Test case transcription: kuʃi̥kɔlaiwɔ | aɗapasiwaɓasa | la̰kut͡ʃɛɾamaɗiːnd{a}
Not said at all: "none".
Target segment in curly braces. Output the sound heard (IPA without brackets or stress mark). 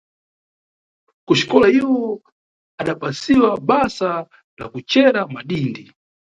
i